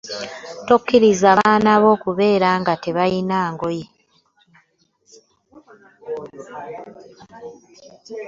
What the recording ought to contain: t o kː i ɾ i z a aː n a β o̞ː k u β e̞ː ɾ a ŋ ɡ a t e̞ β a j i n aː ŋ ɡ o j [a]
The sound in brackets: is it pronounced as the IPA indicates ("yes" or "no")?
no